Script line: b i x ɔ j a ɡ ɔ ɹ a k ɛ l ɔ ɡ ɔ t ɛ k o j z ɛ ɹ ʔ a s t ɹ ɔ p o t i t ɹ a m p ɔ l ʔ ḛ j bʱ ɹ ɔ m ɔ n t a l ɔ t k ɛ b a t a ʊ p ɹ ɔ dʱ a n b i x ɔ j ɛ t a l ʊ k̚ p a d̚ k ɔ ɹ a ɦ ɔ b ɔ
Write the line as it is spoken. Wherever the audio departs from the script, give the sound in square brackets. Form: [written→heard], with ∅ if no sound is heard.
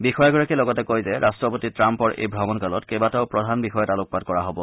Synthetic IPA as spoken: b i x ɔ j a ɡ ɔ ɹ a k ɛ l ɔ ɡ ɔ t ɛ k o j z ɛ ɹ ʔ a s t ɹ ɔ p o t i t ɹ a m p ɔ [l→ɹ] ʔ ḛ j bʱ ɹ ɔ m ɔ n [t→k] a l ɔ t k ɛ b a t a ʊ p ɹ ɔ dʱ a n b i x ɔ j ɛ t a l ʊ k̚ p a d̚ k ɔ ɹ a ɦ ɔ b ɔ

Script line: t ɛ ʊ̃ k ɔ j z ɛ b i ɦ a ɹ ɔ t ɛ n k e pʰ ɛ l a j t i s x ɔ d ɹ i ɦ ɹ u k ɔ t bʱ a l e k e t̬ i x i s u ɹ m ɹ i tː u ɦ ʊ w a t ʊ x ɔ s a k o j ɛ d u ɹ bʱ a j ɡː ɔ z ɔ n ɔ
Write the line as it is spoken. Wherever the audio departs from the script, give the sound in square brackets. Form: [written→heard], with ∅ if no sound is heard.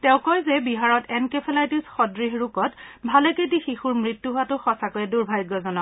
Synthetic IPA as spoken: t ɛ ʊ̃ k ɔ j z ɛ b i ɦ a ɹ ɔ t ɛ n k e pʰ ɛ l a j t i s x ɔ d ɹ i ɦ ɹ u k ɔ t bʱ a l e k e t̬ i x i [s→x] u ɹ m ɹ i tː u ɦ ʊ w a t ʊ x ɔ s a k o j ɛ d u ɹ bʱ a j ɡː ɔ z ɔ n ɔ

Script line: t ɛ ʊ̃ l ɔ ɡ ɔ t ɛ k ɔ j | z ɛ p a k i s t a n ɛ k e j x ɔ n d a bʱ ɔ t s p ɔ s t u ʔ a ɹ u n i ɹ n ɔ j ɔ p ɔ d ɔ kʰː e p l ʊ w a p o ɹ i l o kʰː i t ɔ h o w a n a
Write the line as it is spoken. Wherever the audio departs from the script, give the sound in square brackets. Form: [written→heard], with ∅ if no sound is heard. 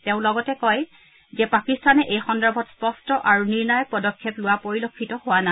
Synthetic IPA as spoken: t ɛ ʊ̃ l ɔ ɡ ɔ t ɛ k ɔ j | z ɛ p a k i s t a n ɛ [k→ʔ] e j x ɔ n d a bʱ ɔ t s p ɔ s t [u→ɔ] ʔ a ɹ u n i ɹ n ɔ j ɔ p ɔ d ɔ kʰː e p l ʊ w a p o ɹ i l o kʰː i t ɔ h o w a n a

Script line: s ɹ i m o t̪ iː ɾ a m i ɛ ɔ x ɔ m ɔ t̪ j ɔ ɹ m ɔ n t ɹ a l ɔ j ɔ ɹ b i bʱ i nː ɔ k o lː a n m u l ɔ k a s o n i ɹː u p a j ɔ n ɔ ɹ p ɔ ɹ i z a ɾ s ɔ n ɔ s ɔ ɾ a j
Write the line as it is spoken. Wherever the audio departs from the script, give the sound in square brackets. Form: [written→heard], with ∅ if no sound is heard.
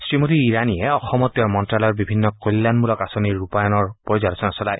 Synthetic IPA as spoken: s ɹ i m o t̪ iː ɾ a [m→n] i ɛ ɔ x ɔ m ɔ t̪ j ɔ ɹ m ɔ n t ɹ a l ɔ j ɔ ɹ b i bʱ i nː ɔ k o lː a n m u l ɔ k a s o n i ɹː u p a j ɔ n ɔ ɹ p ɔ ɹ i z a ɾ s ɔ n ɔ s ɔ [ɾ→l] a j

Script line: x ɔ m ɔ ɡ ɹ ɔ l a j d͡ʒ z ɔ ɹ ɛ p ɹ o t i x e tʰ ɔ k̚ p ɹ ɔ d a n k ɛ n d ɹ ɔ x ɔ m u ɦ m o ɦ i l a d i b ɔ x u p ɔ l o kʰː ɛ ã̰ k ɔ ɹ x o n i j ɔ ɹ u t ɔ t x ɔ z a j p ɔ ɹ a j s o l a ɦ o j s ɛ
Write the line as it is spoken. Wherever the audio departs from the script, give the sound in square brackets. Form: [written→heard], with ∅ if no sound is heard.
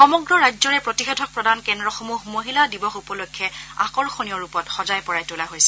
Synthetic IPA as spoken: x ɔ m ɔ ɡ ɹ ɔ [l→ɹ] a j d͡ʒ z ɔ ɹ ɛ p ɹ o t i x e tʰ ɔ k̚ p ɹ ɔ d a n k ɛ n d ɹ ɔ x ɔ m u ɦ m o ɦ i l a d i b ɔ x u p ɔ l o kʰː ɛ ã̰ k ɔ ɹ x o n i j ɔ ɹ u [t→p] ɔ t x ɔ z a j p ɔ ɹ a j [s→t] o l a ɦ o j s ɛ

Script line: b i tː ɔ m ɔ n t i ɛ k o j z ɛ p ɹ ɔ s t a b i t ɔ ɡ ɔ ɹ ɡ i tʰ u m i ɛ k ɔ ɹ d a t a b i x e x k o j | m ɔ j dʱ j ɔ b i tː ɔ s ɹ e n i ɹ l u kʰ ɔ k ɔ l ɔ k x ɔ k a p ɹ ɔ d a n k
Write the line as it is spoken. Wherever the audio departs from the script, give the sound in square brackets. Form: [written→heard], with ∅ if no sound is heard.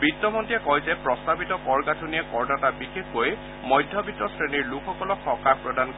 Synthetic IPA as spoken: b i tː ɔ m ɔ n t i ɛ k [o→ɔ] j z ɛ p ɹ ɔ s t a b i t ɔ [ɡ→k] ɔ ɹ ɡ [i→a] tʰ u [m→n] i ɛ k ɔ ɹ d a t a b i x e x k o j | m ɔ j dʱ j ɔ b i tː ɔ s ɹ e n i ɹ l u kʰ ɔ k ɔ l ɔ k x ɔ k a p ɹ ɔ d a n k

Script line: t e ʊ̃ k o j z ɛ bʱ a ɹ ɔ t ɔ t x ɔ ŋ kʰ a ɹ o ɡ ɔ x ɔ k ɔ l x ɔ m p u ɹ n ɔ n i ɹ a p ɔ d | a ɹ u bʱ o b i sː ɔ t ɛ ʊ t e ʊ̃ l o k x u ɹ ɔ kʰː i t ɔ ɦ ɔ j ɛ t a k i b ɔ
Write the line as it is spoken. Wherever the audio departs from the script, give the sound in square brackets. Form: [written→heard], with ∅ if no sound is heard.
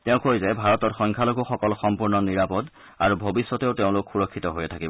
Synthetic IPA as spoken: t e ʊ̃ k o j z ɛ bʱ a ɹ ɔ t ɔ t x ɔ ŋ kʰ a [ɹ→l] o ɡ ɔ x ɔ k ɔ l x ɔ m p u ɹ n ɔ n i ɹ a p ɔ d | a ɹ u bʱ o b i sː ɔ t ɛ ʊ t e ʊ̃ l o k x u ɹ ɔ kʰː i t ɔ ɦ [ɔ→o] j ɛ [t→tʰ] a k i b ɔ

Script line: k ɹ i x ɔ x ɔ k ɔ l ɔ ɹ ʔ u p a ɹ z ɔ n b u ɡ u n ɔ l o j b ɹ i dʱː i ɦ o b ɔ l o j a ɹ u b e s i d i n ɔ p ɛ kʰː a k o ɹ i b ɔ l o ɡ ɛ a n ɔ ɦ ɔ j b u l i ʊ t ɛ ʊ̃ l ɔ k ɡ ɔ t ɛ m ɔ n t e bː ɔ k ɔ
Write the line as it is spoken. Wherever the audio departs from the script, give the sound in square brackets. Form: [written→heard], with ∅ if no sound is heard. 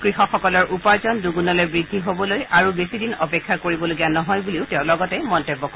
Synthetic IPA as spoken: k ɹ i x ɔ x ɔ k ɔ l ɔ ɹ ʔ u p a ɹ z ɔ n [b→d] u ɡ u n ɔ l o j b ɹ i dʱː i ɦ o b ɔ l o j a ɹ u b e s i d i n ɔ p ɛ kʰː a k o ɹ i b ɔ l o ɡ [ɛ→i] a n ɔ ɦ ɔ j b u l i ʊ t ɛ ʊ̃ l ɔ [k→∅] ɡ ɔ t ɛ m ɔ n t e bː ɔ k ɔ

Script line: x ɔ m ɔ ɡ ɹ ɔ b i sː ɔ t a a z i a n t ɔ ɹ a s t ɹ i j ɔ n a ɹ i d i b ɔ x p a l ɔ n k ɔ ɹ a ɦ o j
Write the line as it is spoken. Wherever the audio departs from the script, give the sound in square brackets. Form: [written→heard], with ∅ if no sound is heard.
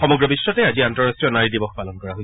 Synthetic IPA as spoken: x ɔ m ɔ ɡ ɹ ɔ b i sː ɔ t [a→ɛ] a z i a n t ɔ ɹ a s t ɹ i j ɔ n a ɹ i d i b ɔ x p a l ɔ n k ɔ ɹ a ɦ o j

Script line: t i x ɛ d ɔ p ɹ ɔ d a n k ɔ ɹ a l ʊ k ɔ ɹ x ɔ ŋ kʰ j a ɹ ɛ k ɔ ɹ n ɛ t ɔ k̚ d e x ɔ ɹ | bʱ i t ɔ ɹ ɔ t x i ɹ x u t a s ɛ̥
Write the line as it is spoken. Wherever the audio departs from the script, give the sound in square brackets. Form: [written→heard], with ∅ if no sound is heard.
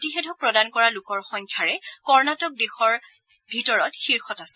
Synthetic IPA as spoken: t i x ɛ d ɔ p ɹ ɔ d a n k ɔ ɹ a l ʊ k ɔ ɹ x ɔ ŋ kʰ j a ɹ ɛ k ɔ ɹ n [ɛ→a] t ɔ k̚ d e x ɔ ɹ | bʱ i t ɔ ɹ ɔ t x i ɹ x [u→ɔ] t a s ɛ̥

